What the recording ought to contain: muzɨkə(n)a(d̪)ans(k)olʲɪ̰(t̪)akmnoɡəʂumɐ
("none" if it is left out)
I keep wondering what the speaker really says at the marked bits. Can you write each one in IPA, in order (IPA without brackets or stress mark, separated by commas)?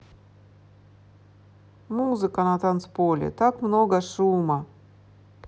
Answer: n, t̪, p, t̪